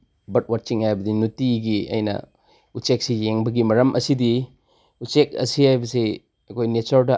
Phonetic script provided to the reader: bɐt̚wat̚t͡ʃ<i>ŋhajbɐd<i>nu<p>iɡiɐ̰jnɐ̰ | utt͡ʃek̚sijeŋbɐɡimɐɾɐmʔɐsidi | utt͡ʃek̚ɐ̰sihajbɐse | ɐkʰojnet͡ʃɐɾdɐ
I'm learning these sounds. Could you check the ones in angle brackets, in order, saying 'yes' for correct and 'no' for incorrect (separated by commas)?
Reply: yes, yes, no